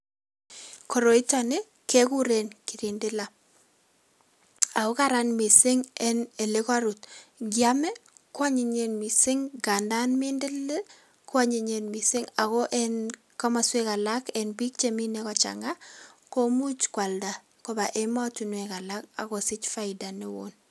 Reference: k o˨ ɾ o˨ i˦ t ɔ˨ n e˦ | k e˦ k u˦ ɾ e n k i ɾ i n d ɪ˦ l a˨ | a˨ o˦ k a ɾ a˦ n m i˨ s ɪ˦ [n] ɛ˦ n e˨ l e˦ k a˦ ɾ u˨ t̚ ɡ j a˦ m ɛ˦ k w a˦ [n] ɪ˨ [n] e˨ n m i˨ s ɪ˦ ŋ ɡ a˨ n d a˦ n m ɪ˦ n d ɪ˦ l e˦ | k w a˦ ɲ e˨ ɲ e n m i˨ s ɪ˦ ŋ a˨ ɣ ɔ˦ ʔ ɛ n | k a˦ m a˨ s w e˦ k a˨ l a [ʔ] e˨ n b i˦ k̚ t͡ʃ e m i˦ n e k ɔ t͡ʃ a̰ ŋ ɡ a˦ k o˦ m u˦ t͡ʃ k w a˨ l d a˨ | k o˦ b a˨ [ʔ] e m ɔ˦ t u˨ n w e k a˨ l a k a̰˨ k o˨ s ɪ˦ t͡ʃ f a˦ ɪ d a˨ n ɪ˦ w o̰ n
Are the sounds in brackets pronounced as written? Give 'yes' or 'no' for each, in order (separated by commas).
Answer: no, no, no, no, yes